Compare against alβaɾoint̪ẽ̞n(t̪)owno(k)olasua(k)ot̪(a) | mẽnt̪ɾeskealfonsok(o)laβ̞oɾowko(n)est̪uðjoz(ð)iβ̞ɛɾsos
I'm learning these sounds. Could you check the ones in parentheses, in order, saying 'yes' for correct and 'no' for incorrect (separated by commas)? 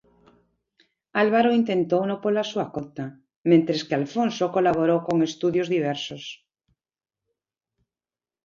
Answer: yes, no, yes, yes, yes, no, yes